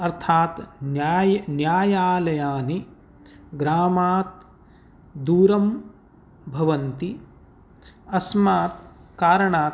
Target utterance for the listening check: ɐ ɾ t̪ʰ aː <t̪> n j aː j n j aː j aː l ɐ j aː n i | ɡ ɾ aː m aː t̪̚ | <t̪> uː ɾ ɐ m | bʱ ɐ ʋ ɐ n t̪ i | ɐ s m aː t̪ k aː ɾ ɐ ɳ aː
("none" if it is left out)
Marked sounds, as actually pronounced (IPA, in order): t̪, d̪

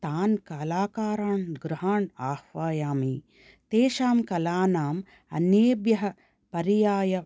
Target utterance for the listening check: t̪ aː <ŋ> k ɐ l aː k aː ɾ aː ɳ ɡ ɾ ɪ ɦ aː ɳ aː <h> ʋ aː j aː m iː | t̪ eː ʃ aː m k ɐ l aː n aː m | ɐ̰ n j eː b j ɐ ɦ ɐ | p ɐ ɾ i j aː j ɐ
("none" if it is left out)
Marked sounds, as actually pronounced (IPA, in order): n, h

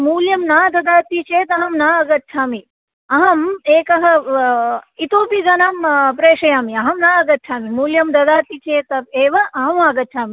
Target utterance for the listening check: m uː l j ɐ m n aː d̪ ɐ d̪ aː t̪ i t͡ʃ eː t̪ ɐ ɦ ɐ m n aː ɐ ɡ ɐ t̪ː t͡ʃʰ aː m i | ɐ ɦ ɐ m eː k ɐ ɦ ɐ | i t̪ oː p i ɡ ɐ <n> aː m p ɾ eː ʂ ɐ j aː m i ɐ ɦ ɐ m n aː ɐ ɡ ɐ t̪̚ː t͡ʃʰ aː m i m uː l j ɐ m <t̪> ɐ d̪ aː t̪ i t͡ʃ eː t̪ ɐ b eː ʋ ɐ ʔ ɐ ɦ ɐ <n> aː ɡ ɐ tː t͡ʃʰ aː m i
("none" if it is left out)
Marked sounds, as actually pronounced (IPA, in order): n, d̪, m

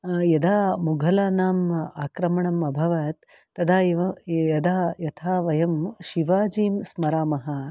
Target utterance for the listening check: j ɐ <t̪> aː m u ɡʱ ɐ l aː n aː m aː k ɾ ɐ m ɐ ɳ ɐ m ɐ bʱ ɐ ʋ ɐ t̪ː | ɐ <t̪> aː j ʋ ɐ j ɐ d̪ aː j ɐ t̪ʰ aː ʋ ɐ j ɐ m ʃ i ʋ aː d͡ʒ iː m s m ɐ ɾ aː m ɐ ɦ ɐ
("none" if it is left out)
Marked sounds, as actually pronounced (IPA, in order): d̪, d̪

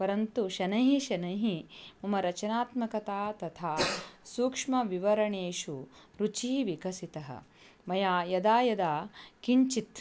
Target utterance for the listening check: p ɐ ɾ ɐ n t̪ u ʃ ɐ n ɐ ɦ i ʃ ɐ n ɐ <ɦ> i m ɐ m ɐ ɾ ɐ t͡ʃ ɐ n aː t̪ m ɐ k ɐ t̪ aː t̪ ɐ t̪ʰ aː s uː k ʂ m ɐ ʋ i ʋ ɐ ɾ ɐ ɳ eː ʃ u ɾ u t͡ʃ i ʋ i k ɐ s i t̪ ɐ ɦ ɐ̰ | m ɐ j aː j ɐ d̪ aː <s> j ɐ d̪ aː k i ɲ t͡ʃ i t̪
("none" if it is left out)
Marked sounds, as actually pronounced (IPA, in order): ɦ, none

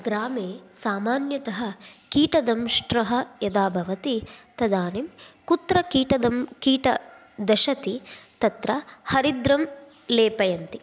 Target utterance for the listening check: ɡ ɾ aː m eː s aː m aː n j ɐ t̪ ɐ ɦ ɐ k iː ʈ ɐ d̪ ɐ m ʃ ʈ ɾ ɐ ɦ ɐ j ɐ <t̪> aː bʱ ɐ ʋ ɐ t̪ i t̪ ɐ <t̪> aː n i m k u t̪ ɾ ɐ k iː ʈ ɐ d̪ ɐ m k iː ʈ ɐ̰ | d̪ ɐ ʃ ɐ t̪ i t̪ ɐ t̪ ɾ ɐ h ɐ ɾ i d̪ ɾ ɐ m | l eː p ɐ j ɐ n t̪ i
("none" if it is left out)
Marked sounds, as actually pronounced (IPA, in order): d̪, d̪

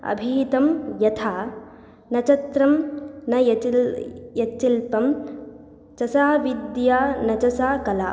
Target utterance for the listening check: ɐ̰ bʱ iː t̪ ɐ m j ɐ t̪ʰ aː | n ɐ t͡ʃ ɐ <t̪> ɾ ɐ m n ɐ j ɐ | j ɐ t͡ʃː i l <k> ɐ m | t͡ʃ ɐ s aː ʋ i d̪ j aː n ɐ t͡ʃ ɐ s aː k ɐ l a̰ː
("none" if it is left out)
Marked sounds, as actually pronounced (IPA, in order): t̪, p

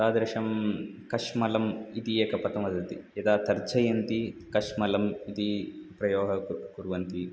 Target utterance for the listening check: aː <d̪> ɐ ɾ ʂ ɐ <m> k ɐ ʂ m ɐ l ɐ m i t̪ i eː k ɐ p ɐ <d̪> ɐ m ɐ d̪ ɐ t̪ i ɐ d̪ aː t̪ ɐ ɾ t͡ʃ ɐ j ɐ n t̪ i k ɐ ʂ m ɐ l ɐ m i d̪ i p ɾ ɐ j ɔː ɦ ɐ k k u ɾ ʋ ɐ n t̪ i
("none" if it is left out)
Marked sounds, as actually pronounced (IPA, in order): d̪, m, t̪

